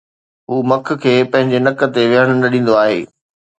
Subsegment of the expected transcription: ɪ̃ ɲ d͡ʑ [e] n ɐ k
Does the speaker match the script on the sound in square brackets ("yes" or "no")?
yes